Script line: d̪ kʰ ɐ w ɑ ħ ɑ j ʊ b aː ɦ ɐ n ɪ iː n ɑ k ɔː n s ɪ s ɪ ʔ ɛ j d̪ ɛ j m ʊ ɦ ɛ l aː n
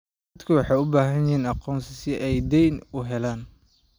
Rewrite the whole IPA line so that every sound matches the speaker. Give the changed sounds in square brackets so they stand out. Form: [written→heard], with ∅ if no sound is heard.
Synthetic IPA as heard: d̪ kʰ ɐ w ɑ ħ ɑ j ʊ b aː ɦ ɐ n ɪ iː n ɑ [k→q] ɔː n s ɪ s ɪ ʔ ɛ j d̪ ɛ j [m→n] ʊ ɦ ɛ l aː n